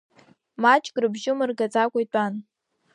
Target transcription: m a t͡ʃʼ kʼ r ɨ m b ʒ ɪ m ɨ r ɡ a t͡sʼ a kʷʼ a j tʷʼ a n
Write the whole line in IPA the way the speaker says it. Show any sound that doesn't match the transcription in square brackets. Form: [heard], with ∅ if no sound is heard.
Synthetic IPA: m a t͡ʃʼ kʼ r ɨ [∅] b ʒ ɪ m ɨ r ɡ a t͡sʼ a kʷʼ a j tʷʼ a n